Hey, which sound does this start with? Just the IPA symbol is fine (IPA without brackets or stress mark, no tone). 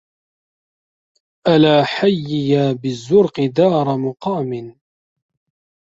ʔ